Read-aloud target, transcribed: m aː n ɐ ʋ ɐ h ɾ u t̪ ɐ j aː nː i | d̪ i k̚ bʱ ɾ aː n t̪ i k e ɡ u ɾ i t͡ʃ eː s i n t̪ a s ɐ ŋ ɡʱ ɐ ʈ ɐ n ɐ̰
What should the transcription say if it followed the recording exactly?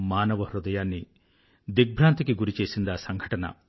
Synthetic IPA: m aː n ɐ ʋ ɐ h ɾ u d̪ ɐ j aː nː i | d̪ i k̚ bʱ ɾ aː n t̪ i k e ɡ u ɾ i t͡ʃ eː s i n d̪ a s ɐ ŋ ɡʱ ɐ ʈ ɐ n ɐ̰